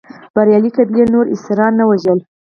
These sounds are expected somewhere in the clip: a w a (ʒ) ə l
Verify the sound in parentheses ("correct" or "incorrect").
correct